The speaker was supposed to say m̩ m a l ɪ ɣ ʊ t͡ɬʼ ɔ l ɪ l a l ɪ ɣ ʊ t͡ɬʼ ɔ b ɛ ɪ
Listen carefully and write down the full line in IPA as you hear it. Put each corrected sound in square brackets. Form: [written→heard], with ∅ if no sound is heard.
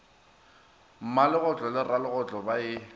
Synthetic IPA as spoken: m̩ m a l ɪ ɣ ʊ t͡ɬʼ ɔ l ɪ [l→r] a l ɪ ɣ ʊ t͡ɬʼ ɔ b [ɛ→a] ɪ